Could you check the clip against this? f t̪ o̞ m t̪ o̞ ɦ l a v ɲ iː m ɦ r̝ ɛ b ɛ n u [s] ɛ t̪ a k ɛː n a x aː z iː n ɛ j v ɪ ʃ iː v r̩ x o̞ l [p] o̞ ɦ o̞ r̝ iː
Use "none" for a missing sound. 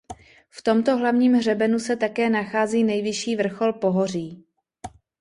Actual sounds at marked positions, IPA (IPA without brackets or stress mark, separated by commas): s, p